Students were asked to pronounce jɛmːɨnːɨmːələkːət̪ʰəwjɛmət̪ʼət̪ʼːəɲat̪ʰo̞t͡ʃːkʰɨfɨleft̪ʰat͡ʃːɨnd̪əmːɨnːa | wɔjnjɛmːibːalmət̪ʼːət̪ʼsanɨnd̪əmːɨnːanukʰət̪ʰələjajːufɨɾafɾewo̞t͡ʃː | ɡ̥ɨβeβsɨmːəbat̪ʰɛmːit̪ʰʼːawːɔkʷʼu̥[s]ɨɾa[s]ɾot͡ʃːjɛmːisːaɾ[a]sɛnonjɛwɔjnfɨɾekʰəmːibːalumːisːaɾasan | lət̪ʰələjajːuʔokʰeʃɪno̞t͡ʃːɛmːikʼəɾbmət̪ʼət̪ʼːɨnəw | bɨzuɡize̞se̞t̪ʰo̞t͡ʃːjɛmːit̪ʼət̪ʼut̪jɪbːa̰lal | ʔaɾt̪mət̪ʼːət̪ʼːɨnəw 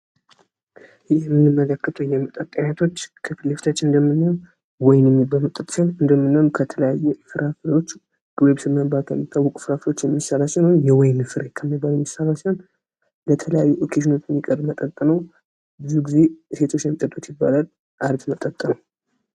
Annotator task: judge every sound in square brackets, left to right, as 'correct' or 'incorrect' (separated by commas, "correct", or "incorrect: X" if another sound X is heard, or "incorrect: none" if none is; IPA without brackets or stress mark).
incorrect: f, incorrect: f, correct